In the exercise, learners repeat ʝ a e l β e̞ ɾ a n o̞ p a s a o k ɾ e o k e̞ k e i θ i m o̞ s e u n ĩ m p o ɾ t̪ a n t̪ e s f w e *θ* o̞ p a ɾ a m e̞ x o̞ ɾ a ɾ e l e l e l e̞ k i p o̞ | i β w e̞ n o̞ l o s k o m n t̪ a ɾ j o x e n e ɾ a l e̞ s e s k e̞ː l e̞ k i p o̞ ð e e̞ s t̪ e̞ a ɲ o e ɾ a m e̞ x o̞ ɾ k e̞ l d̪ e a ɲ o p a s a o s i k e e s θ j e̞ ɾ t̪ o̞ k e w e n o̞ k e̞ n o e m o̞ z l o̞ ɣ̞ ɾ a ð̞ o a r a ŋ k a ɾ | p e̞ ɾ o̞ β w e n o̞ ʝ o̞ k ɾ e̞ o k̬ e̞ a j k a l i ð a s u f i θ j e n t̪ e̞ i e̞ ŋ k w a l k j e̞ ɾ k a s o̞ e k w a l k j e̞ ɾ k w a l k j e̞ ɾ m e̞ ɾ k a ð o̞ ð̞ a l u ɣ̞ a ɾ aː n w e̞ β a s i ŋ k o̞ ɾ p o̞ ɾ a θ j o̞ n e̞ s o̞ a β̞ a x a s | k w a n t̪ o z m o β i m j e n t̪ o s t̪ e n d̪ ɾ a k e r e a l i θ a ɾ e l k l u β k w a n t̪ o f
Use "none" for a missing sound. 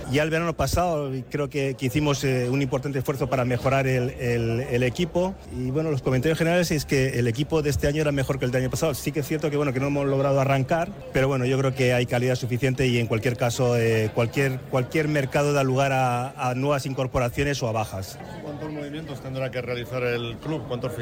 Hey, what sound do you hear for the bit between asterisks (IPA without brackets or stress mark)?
θ